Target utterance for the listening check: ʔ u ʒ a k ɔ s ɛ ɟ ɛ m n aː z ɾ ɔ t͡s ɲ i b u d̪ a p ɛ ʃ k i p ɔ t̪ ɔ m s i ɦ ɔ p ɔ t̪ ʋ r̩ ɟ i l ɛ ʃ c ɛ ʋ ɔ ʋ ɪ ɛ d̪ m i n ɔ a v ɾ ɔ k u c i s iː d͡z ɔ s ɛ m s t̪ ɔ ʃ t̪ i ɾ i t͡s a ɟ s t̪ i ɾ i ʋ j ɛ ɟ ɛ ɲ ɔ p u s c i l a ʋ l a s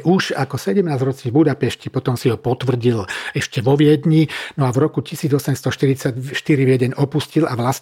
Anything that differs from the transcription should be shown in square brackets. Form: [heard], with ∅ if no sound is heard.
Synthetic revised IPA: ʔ u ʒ a k ɔ s ɛ ɟ ɛ m n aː z ɾ ɔ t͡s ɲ i b u d̪ a p ɛ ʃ [c] i p ɔ t̪ ɔ m s i ɦ ɔ p ɔ t̪ ʋ r̩ ɟ i l ɛ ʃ c ɛ ʋ ɔ ʋ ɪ ɛ d̪ [ɲ] i n ɔ a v ɾ ɔ k u c i s iː d͡z ɔ s ɛ m s t̪ ɔ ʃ t̪ i ɾ i t͡s a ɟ [ʃ] t̪ i ɾ i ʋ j ɛ ɟ ɛ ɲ ɔ p u s c i l a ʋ l a s